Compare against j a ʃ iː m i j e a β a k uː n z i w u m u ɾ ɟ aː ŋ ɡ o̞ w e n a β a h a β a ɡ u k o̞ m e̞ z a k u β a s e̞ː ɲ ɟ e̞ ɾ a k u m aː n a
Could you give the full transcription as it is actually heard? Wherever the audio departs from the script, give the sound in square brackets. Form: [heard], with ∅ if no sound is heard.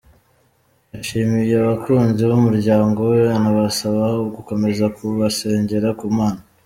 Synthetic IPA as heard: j a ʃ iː m i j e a β a k uː n z i [β] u m u ɾ ɟ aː ŋ ɡ o̞ w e n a β a [s] a β a ɡ u k o̞ m e̞ z a k u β a s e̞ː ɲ ɟ e̞ ɾ a k u m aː n a